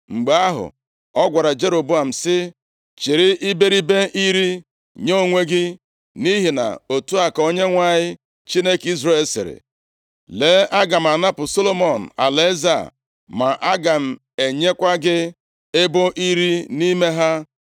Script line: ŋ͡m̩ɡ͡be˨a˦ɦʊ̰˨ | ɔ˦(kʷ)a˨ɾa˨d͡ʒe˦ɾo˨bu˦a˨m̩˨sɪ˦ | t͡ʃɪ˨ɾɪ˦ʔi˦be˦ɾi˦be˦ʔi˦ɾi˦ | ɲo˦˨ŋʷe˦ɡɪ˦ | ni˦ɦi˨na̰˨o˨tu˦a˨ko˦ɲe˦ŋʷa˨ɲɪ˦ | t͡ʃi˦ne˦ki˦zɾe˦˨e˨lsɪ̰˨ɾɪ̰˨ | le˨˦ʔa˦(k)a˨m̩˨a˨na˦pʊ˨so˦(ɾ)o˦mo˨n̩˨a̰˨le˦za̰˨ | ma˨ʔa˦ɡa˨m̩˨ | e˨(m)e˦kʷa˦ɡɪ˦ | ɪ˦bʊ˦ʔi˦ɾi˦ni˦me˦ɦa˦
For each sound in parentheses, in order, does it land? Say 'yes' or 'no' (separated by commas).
no, no, no, no